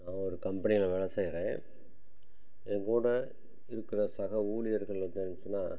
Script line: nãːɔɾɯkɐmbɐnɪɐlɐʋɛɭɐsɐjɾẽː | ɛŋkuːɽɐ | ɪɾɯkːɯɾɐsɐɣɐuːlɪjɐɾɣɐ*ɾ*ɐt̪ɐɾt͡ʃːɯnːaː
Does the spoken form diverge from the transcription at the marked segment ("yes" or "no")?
yes